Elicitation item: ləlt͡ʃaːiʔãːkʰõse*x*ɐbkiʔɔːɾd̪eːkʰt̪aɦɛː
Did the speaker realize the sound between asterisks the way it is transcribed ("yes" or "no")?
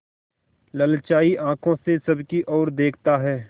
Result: no